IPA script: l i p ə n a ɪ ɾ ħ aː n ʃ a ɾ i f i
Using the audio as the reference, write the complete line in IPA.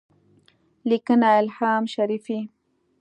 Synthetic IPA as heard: l i k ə n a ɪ l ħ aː m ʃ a ɾ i f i